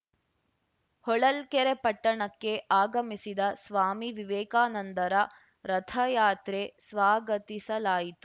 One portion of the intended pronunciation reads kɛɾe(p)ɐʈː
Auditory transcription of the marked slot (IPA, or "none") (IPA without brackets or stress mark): p